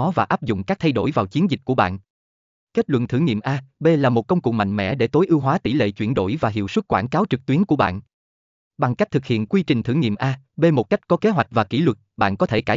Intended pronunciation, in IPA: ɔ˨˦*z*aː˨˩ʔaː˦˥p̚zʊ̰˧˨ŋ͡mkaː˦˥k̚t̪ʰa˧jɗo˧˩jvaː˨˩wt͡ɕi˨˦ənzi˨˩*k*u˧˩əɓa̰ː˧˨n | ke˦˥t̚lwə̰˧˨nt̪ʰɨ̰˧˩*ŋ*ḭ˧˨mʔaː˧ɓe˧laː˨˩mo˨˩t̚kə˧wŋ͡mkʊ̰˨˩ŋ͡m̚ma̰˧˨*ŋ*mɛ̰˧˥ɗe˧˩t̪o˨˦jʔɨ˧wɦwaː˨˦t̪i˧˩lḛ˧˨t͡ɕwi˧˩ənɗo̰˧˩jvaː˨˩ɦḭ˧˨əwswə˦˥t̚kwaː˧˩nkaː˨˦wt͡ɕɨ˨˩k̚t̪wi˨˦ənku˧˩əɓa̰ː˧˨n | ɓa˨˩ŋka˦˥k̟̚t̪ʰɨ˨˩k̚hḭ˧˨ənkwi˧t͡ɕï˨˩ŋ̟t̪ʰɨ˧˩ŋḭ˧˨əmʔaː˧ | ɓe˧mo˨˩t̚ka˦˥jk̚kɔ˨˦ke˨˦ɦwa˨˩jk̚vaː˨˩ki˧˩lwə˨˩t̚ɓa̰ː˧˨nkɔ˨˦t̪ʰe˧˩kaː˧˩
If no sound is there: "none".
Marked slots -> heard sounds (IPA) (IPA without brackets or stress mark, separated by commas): v, k, ŋ, ŋ